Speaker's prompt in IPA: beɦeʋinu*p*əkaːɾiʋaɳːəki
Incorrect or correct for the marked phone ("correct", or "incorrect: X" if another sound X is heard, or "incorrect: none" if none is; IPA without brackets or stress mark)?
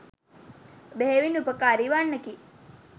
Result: correct